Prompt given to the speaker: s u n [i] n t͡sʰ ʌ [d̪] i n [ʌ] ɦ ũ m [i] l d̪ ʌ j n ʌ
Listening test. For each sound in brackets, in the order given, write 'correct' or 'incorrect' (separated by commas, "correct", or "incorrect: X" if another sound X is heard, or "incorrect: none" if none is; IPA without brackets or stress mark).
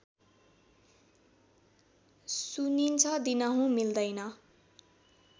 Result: correct, correct, correct, correct